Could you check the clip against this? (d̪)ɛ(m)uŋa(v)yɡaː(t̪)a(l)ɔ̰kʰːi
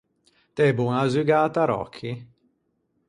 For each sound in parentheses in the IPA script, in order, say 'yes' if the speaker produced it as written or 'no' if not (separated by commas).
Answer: no, no, no, yes, no